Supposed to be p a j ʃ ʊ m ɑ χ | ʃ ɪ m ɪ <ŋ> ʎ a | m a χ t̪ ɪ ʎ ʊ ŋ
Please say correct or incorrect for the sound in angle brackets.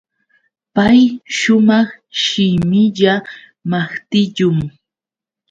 incorrect: none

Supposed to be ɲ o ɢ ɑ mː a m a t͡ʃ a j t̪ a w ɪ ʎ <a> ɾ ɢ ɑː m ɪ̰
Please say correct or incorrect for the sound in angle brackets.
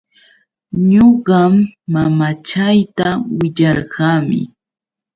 incorrect: ɑ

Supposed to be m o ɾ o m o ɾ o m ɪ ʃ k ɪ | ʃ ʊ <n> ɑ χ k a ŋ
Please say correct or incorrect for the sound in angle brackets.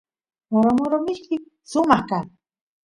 incorrect: m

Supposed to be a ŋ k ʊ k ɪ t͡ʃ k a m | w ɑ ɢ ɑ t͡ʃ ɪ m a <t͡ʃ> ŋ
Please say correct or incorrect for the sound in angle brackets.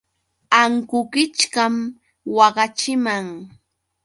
incorrect: none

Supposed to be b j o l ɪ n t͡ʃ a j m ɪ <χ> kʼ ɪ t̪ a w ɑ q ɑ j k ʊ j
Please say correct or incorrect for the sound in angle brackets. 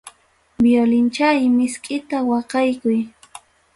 incorrect: s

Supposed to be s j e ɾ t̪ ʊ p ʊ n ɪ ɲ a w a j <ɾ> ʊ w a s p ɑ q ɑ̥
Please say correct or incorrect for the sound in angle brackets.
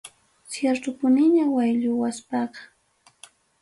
incorrect: ʎ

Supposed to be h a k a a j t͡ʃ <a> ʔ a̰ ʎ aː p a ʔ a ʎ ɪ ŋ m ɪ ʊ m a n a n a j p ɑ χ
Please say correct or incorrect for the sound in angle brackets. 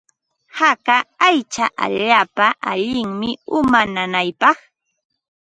correct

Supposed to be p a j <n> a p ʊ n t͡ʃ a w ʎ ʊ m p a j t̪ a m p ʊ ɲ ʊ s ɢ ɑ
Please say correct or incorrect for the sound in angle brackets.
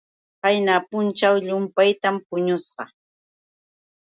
correct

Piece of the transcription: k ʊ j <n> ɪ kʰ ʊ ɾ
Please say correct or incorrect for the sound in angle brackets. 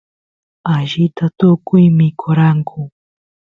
incorrect: m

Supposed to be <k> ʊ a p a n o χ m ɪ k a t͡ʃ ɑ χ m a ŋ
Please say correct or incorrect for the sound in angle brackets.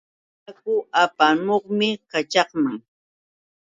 correct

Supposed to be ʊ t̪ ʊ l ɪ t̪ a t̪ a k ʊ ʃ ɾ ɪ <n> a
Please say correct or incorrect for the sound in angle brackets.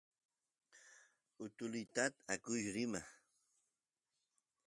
incorrect: m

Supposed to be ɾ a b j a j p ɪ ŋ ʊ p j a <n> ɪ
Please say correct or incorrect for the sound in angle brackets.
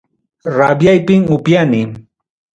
correct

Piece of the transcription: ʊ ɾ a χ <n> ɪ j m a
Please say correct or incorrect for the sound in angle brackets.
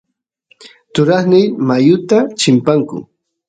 correct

